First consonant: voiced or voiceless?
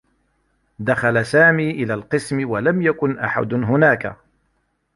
voiced